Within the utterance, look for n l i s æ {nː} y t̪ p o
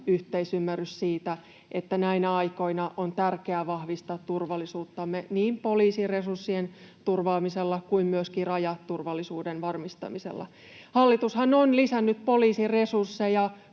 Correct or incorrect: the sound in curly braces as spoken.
correct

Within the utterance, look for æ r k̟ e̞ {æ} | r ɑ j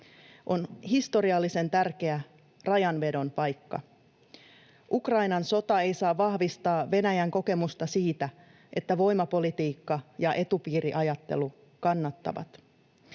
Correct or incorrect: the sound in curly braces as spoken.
correct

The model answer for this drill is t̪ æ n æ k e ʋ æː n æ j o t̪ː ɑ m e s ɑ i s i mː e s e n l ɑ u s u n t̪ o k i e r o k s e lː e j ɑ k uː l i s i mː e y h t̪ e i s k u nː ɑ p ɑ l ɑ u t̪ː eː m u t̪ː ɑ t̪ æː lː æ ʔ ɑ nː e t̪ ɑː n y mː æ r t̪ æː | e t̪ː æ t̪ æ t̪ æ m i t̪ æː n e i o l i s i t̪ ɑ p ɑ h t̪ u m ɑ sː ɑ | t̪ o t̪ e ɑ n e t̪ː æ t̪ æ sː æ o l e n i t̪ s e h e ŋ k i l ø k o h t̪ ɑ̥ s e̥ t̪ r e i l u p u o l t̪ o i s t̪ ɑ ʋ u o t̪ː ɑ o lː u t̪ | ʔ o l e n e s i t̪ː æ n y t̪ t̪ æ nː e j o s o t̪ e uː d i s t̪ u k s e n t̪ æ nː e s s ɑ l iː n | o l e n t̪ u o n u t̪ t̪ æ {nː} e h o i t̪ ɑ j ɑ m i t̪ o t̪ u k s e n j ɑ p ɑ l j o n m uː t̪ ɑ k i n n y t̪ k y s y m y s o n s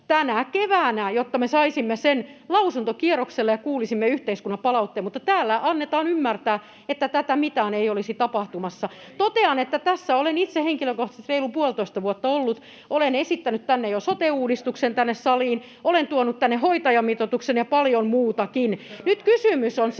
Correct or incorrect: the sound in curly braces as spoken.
correct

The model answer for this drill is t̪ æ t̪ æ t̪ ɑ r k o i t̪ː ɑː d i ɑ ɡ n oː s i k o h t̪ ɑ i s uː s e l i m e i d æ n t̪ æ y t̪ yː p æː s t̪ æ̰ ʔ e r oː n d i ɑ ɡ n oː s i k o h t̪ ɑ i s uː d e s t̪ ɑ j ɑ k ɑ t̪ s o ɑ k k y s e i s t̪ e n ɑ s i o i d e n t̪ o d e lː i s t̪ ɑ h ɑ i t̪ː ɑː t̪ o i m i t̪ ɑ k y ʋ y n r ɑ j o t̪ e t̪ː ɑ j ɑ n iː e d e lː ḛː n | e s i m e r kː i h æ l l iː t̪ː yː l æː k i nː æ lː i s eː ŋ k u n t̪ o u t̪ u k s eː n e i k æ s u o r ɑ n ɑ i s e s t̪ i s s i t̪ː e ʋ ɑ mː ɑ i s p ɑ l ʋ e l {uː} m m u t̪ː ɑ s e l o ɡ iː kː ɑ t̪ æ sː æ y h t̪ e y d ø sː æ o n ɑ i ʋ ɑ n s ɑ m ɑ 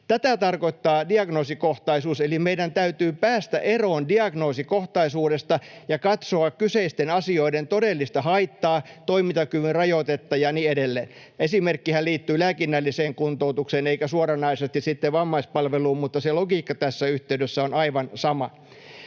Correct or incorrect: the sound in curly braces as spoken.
correct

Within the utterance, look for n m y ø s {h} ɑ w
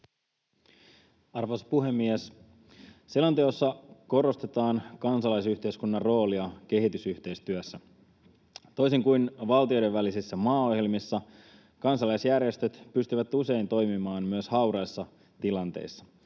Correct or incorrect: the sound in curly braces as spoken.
correct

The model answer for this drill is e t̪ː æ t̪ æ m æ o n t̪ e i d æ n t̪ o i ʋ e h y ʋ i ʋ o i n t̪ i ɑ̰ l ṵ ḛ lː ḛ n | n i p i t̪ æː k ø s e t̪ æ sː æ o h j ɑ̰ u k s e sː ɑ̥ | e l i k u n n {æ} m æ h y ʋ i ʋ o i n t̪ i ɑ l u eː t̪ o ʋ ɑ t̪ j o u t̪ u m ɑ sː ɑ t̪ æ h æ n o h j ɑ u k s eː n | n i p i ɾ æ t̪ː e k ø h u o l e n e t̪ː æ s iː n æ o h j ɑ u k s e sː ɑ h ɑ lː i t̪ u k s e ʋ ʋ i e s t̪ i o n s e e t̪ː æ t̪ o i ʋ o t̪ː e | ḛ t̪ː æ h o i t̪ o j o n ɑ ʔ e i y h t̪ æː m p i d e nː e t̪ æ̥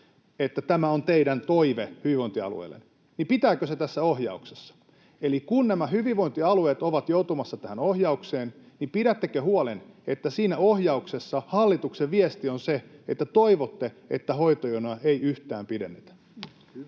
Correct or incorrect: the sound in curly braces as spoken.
correct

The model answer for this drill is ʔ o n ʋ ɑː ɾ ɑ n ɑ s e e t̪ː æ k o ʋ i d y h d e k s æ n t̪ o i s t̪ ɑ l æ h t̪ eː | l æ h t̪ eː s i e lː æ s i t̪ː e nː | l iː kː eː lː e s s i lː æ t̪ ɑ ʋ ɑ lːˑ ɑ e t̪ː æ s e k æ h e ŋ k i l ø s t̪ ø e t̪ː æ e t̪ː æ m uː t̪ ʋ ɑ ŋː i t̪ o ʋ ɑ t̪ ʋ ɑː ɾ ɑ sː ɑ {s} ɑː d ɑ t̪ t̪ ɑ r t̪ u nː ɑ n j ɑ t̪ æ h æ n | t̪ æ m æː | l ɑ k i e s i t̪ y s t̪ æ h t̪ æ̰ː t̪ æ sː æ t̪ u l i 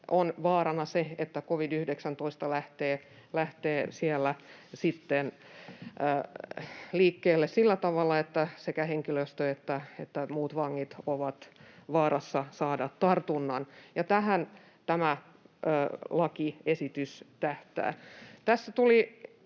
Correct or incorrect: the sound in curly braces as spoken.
correct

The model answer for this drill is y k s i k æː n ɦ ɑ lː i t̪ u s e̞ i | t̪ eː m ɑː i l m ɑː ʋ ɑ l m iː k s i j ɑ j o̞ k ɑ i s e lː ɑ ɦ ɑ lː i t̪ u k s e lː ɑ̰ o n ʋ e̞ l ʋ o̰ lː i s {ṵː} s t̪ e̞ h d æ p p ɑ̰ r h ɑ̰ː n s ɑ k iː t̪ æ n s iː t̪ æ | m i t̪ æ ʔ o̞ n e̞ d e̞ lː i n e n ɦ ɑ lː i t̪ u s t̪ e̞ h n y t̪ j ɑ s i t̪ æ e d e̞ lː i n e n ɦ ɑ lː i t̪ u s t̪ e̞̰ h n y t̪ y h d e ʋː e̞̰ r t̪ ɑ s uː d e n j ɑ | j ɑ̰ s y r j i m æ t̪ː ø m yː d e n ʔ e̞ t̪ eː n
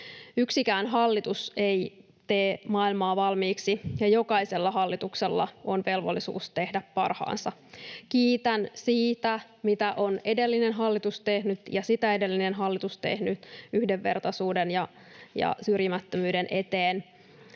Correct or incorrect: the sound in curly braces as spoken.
correct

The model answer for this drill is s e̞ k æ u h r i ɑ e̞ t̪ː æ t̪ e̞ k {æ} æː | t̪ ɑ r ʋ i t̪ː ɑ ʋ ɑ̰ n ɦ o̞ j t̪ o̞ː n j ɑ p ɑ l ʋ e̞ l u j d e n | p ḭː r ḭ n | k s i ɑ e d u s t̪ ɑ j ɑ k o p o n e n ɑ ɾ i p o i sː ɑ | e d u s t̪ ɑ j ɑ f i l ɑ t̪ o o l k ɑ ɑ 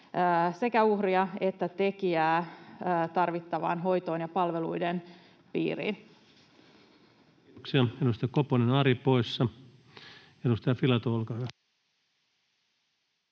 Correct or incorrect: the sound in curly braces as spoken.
incorrect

